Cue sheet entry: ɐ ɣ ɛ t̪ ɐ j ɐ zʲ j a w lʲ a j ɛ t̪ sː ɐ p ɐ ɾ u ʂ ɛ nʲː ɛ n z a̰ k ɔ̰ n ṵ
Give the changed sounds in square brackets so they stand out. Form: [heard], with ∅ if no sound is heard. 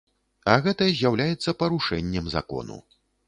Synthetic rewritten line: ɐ ɣ ɛ t̪ ɐ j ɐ zʲ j a w lʲ a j ɛ t̪ sː ɐ p ɐ ɾ u ʂ ɛ nʲː ɛ [m] z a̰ k ɔ̰ n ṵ